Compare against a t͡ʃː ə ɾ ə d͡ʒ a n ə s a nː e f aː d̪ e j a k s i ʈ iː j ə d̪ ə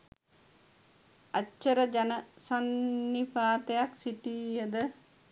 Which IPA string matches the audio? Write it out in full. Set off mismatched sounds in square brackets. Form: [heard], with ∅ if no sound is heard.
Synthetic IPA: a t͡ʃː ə ɾ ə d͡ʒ a n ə s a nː [i] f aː [t̪] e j a k s i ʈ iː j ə d̪ ə